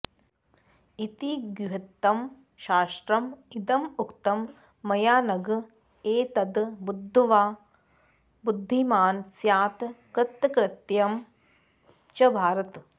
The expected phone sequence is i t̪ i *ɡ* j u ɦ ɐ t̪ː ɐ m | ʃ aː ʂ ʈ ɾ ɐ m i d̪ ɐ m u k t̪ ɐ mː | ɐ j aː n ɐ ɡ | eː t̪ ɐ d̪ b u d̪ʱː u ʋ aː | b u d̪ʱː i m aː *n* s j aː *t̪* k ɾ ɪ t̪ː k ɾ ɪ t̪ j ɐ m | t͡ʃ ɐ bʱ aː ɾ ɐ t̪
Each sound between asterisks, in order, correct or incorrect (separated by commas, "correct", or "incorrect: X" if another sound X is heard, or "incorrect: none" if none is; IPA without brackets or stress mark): correct, correct, correct